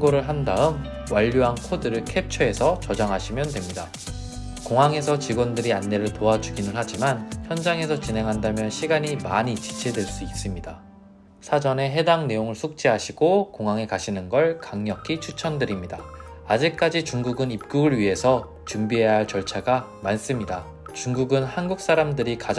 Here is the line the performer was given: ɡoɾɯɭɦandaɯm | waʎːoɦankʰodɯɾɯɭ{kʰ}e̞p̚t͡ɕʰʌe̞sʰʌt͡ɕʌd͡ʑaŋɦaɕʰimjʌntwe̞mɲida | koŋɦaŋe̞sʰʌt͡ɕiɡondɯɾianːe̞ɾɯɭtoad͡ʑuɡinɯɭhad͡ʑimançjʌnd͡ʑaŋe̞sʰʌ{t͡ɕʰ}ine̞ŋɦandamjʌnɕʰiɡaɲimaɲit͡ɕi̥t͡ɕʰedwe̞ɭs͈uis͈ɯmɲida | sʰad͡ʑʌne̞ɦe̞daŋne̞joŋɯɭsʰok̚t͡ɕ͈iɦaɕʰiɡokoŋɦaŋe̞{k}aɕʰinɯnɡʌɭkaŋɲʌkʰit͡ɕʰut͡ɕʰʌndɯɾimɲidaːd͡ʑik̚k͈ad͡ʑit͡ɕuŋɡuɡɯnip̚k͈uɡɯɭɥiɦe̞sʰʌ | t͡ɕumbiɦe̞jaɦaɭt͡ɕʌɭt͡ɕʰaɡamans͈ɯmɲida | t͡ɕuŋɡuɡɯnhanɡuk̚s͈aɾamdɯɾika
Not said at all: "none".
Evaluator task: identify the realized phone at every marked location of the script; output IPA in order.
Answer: kʰ, t͡ɕ, k

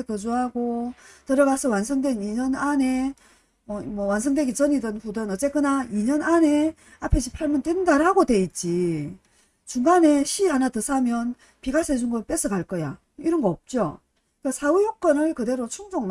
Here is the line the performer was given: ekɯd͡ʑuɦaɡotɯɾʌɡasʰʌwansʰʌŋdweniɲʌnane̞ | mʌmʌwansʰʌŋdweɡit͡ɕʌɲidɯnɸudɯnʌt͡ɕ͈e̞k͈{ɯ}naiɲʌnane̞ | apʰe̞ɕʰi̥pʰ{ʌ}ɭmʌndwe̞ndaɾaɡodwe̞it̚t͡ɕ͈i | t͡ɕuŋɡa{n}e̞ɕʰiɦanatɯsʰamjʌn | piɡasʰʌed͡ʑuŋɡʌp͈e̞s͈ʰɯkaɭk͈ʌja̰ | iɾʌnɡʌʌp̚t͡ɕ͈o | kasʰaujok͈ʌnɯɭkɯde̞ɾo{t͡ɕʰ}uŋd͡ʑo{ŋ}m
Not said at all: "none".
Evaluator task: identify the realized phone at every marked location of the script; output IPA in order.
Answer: ɯ, a, n, t͡ɕʰ, ŋ

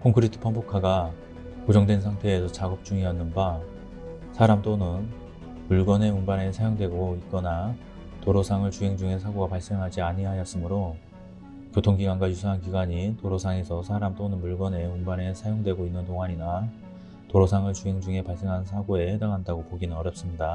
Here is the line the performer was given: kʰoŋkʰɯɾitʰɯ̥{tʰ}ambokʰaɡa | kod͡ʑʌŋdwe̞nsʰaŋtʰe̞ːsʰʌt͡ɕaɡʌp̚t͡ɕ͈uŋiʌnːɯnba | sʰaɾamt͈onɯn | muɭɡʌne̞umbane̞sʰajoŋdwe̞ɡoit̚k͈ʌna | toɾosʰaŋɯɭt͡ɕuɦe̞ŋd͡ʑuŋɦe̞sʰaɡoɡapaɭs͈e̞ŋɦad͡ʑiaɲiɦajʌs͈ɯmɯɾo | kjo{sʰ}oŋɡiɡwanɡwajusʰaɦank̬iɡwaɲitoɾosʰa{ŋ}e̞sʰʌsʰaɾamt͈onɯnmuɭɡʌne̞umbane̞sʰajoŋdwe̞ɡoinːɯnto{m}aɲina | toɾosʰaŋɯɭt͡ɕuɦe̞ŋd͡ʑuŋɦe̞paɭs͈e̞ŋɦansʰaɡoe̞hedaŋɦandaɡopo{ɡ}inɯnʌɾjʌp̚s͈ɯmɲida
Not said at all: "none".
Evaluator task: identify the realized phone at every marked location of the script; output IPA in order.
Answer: pʰ, tʰ, ŋ, ŋ, ɡ

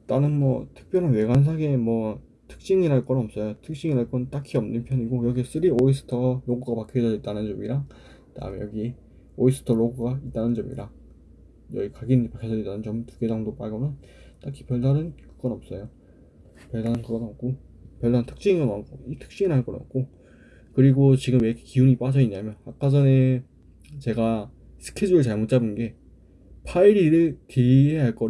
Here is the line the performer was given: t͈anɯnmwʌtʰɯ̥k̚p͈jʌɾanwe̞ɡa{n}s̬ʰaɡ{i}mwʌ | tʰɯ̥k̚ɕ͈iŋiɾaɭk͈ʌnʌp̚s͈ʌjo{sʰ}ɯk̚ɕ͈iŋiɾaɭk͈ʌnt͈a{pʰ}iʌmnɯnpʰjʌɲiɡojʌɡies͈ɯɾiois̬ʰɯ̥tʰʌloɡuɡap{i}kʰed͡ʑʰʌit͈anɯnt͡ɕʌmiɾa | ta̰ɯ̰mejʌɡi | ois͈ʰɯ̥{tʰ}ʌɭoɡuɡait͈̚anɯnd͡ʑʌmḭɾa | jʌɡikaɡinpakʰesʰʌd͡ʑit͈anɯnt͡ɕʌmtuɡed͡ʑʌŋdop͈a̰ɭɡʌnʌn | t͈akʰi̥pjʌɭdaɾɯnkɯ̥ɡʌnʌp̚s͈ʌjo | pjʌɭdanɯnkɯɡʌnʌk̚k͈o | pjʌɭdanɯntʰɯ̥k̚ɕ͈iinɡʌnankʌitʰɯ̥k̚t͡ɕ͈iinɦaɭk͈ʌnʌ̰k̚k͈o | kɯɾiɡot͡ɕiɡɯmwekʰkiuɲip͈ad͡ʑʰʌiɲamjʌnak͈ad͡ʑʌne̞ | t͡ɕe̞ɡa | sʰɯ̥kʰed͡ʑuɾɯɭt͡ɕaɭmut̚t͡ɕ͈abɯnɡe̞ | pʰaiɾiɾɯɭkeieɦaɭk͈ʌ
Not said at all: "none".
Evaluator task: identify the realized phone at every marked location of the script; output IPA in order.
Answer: n, e, tʰ, kʰ, a, tʰ

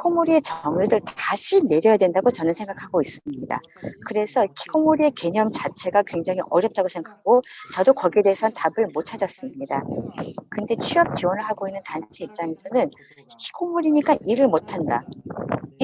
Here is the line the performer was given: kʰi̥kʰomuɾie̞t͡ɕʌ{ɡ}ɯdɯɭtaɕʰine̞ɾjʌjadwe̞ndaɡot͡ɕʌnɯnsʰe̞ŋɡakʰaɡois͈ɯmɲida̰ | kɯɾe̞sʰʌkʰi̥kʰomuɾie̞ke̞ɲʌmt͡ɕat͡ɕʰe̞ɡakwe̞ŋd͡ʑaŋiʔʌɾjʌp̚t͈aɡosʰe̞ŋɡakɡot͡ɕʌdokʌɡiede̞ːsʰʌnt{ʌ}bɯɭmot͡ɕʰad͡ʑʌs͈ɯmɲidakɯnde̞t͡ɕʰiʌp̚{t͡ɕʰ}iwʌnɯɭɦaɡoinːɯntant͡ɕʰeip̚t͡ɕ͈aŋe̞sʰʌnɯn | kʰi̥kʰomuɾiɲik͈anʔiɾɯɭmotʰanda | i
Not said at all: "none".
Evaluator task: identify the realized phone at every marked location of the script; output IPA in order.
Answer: ŋ, a, t͡ɕ

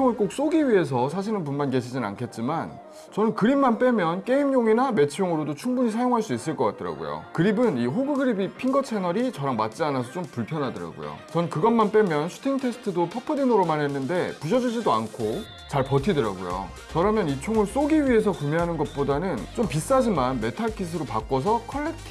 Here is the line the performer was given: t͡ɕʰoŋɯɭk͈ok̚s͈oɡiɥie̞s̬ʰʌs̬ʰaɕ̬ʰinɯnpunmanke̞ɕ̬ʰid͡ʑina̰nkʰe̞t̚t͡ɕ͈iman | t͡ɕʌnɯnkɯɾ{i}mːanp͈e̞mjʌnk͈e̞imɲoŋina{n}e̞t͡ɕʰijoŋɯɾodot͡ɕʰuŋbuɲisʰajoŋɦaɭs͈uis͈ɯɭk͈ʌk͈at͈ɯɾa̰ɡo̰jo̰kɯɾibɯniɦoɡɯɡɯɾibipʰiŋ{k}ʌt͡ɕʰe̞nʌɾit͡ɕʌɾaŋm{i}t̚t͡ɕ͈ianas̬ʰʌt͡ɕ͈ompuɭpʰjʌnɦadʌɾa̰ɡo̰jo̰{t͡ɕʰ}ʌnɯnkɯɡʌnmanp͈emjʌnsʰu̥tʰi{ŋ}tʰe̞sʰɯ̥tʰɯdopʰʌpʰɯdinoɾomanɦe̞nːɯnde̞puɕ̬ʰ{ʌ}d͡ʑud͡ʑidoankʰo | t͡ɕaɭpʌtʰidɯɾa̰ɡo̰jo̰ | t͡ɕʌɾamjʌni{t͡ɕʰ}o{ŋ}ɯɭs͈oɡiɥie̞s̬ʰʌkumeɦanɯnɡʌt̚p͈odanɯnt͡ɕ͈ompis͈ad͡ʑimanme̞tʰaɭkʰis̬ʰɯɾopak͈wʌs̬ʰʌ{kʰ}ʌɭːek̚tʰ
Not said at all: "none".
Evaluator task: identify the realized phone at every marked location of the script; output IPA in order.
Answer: i, m, ɡ, a, t͡ɕ, ŋ, ʌ, t͡ɕʰ, ŋ, kʰ

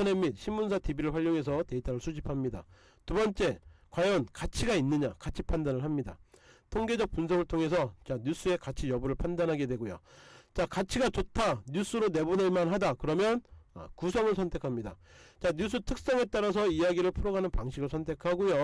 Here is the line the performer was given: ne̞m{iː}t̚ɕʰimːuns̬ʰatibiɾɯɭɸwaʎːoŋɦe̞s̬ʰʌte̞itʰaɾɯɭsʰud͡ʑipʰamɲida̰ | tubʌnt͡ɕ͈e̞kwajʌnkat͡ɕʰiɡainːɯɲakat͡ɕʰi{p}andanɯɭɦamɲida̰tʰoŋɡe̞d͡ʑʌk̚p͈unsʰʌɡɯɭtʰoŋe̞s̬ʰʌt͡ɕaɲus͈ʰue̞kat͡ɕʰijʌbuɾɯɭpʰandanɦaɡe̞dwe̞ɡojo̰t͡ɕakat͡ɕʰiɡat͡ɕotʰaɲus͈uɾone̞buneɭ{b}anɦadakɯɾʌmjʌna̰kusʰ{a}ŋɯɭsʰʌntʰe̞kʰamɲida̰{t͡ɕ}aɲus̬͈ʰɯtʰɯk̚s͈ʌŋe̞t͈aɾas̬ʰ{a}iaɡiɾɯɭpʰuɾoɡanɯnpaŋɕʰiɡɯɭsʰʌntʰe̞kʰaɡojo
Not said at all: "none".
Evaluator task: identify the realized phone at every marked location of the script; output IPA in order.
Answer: i, pʰ, m, ʌ, t͡ɕ, ʌ

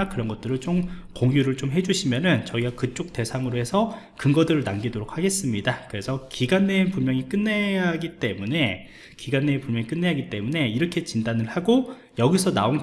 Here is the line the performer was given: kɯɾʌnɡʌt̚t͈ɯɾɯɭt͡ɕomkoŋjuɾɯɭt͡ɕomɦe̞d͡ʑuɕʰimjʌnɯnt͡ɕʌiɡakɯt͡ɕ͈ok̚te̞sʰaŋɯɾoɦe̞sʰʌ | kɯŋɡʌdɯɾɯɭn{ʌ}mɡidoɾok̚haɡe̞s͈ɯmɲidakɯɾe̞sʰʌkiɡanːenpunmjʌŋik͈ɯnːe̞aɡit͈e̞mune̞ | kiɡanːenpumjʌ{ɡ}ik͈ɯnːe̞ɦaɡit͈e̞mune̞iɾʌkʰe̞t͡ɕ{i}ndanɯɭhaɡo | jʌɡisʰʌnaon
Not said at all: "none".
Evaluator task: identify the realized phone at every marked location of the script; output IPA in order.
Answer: a, ŋ, i

